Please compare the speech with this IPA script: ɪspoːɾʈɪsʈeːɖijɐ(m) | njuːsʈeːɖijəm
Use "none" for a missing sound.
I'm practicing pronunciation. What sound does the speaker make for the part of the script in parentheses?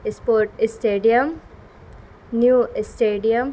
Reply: m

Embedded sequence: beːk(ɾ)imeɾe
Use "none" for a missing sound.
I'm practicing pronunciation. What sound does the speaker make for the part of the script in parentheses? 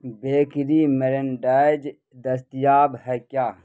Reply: ɾ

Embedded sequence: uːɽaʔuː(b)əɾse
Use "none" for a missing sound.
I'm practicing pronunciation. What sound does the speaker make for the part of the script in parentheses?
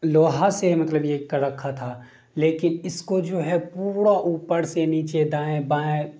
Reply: p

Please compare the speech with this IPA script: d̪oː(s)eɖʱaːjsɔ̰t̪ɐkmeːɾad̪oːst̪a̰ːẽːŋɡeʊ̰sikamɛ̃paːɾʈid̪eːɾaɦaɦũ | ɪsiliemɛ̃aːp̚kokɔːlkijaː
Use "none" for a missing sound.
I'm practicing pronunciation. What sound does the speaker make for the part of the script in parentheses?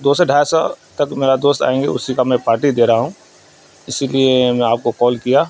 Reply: s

